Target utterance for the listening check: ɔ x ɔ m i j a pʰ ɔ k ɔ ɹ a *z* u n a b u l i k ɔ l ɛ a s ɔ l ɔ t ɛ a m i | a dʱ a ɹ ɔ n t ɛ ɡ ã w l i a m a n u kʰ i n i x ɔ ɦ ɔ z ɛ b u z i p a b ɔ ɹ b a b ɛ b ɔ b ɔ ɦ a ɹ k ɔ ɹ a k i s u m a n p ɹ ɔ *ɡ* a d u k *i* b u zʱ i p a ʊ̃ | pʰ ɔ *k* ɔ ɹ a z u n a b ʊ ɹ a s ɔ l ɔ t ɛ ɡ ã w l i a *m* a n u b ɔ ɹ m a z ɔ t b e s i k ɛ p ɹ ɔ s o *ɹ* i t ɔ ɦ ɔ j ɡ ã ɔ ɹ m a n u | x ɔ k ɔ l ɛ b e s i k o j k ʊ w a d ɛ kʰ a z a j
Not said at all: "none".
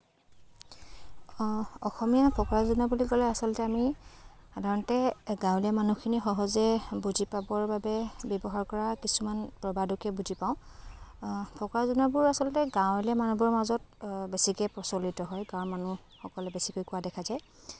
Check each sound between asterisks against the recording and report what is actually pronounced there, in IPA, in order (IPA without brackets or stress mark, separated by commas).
z, b, ɛ, k, m, l